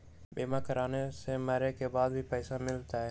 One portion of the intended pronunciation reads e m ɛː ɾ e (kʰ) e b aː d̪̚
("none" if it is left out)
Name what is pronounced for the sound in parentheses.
k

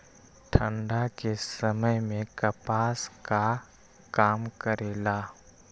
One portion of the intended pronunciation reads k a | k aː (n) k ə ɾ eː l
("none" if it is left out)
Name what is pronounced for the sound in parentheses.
m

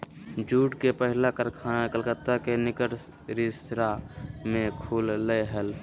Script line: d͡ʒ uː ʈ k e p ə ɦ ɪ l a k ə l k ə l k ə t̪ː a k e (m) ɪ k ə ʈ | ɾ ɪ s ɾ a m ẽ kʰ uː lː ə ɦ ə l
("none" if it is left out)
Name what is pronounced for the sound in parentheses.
n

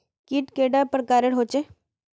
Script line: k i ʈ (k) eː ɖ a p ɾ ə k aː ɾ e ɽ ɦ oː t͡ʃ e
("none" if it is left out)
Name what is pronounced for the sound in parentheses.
k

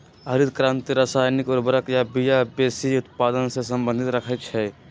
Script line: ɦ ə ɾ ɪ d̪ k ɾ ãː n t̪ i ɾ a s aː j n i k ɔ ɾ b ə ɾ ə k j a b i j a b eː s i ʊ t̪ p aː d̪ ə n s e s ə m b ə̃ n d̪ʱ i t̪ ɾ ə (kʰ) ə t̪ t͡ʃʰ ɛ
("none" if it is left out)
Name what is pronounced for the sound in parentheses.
kʰ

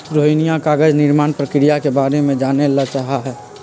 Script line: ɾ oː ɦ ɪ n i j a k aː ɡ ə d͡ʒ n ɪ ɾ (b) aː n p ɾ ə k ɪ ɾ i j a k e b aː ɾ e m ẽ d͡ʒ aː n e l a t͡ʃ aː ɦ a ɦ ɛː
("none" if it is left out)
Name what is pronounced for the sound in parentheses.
m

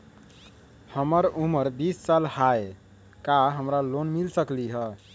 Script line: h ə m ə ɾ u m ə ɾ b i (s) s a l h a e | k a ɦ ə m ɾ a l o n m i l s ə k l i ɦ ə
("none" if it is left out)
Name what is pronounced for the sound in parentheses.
s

